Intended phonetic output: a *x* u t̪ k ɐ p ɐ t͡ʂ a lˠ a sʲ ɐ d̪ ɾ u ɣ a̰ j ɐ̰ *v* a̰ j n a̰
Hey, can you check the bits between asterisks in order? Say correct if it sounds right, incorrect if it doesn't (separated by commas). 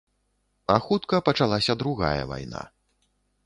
correct, correct